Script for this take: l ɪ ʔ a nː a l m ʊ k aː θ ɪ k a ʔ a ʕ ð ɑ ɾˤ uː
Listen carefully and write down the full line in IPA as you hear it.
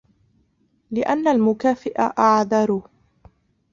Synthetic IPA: l ɪ ʔ a nː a l m ʊ k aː f ɪ ʔ a ʔ a ʕ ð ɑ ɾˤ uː